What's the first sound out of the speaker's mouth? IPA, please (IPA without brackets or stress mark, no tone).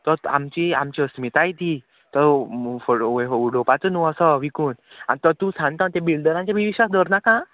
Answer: t̪